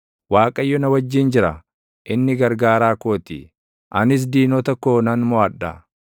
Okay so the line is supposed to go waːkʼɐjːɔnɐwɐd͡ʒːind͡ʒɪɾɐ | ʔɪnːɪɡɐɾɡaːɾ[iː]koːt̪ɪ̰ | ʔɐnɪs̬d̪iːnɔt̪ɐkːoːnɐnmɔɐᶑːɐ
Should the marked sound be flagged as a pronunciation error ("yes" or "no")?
yes